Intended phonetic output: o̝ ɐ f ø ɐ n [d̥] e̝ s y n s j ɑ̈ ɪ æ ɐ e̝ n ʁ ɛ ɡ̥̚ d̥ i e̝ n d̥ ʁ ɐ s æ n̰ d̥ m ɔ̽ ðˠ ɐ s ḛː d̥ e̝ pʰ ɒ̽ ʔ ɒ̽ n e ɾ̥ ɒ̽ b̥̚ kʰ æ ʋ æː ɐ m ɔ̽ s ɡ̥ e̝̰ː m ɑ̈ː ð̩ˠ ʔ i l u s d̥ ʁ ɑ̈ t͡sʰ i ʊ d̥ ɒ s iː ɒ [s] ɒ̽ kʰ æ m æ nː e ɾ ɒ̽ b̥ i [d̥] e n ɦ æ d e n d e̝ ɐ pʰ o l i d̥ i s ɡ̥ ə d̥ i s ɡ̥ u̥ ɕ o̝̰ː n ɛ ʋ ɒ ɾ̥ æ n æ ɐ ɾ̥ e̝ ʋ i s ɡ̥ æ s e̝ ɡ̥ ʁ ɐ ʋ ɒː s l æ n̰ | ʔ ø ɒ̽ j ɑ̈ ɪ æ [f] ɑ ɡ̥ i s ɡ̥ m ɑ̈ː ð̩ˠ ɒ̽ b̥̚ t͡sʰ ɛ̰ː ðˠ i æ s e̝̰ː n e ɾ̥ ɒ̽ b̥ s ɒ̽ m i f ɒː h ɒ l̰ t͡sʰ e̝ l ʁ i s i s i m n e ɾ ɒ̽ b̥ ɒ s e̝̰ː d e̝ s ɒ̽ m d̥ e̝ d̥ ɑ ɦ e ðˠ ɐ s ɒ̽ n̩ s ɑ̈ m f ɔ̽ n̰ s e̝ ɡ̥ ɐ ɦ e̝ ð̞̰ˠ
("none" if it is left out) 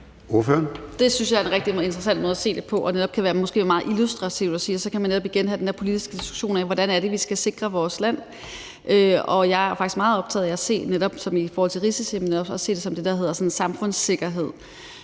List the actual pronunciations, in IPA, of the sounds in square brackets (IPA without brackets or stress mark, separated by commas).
d̥, s, ɡ̥, f